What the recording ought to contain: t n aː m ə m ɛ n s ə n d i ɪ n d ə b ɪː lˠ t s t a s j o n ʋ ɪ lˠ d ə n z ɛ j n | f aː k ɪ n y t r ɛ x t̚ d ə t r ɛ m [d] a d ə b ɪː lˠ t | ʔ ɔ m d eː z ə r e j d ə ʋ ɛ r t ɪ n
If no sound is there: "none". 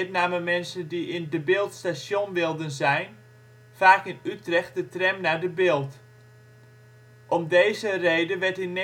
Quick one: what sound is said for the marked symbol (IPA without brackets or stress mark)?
n